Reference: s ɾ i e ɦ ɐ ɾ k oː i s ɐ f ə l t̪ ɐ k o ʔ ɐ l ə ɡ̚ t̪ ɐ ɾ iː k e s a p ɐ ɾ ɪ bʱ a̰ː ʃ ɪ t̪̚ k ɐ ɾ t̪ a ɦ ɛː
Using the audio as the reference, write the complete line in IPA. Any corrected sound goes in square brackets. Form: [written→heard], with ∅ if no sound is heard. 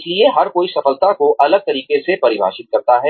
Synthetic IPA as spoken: s [ɾ→l] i e ɦ ɐ ɾ k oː i s ɐ f ə l t̪ [ɐ→a] k o ʔ ɐ l ə ɡ̚ t̪ ɐ ɾ iː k e s [a→e] p ɐ ɾ ɪ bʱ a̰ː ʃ ɪ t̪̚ k ɐ ɾ t̪ a ɦ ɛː